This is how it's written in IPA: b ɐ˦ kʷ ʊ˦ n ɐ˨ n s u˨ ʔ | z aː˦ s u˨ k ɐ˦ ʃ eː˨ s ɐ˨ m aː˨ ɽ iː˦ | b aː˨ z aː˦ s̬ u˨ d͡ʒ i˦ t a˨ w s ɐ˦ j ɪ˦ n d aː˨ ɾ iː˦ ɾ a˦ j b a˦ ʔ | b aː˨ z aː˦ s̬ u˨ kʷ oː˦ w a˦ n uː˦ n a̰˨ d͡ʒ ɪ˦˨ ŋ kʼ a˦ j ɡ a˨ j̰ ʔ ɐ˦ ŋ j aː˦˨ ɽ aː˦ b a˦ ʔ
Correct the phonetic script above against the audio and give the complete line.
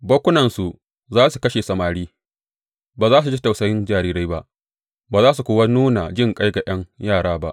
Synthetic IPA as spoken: b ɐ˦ kʷ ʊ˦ n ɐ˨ n s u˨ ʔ | z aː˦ s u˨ k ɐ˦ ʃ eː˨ s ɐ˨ m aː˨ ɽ iː˦ | b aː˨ z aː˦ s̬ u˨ d͡ʒ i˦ t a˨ w s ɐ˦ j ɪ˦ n d͡ʒ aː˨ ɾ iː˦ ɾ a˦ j b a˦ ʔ | b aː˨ z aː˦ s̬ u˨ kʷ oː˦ w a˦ n uː˦ n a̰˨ d͡ʒ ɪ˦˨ ŋ kʼ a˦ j ɡ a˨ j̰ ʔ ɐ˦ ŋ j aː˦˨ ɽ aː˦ b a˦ ʔ